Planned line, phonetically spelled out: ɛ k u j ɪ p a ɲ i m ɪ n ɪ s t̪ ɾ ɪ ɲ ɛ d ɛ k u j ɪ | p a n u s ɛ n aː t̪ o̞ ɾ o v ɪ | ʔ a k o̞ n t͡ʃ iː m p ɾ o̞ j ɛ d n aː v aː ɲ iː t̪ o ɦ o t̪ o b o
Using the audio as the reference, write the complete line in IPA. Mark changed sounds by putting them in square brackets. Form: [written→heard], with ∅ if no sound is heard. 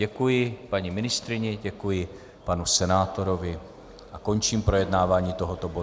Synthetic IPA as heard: ɛ k u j ɪ p a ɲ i m ɪ n ɪ s t̪ ɾ ɪ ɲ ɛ [d→ɟ] ɛ k u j ɪ | p a n u s ɛ n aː t̪ o̞ ɾ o v ɪ | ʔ a k o̞ n t͡ʃ iː m p ɾ o̞ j ɛ d n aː v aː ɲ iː t̪ o ɦ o t̪ o b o